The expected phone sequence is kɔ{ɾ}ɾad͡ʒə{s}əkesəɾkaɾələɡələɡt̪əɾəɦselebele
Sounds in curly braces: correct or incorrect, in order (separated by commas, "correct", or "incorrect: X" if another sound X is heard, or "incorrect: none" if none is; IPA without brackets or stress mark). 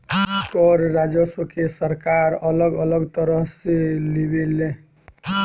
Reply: correct, correct